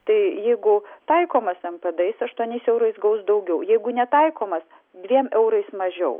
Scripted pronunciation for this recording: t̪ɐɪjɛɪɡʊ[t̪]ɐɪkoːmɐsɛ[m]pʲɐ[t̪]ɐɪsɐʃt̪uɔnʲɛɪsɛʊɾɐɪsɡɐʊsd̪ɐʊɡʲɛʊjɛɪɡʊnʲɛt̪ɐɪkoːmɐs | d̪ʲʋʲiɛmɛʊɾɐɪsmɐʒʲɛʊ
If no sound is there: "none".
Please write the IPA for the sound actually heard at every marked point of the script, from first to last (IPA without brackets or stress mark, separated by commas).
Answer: t̪, m, d̪